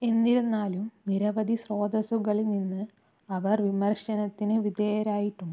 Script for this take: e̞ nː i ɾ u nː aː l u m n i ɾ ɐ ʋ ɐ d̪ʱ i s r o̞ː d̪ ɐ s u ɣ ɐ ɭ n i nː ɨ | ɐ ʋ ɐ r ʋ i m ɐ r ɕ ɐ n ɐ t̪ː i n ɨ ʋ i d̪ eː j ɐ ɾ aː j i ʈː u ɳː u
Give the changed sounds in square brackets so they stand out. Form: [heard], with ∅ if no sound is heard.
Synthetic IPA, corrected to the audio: e̞ nː i ɾ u nː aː l u m n i ɾ ɐ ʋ ɐ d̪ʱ i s r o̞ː d̪ ɐ s u ɣ ɐ ɭ n i nː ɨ | ɐ ʋ ɐ r ʋ i m ɐ r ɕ ɐ n ɐ t̪ː i n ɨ ʋ i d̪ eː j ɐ ɾ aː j i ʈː u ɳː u